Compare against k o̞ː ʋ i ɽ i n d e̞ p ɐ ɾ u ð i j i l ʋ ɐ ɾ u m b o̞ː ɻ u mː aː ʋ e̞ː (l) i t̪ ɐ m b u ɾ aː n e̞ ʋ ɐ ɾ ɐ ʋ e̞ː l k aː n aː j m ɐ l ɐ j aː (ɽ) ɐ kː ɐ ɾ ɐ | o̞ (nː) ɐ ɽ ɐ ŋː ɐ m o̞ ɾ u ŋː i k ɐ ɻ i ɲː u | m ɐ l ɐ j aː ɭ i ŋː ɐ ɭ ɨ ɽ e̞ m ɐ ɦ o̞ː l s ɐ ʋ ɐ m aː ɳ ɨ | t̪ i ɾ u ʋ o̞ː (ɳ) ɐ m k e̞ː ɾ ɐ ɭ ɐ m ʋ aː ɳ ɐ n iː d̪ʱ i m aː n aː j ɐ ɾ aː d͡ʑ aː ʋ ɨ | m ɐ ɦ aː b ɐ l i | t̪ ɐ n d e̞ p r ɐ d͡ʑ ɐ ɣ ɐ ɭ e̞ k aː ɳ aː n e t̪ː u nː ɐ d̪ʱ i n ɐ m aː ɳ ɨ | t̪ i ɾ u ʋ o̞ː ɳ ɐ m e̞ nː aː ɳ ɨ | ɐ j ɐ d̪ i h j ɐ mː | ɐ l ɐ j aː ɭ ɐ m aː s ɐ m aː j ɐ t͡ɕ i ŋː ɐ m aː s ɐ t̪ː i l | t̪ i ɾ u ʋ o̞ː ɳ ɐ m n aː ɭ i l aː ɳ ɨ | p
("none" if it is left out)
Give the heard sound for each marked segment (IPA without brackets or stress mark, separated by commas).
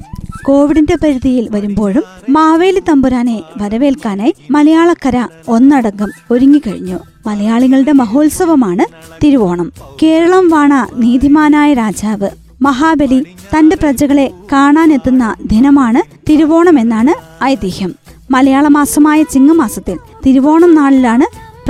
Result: l, ɭ, nː, ɳ